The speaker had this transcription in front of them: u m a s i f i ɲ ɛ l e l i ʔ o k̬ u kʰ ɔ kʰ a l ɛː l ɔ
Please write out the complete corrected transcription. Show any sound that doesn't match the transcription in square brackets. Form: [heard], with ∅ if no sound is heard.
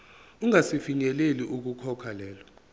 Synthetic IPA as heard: u [ŋ] a s i f i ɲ ɛ l e l i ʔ [u] k̬ u kʰ ɔ kʰ a l ɛː l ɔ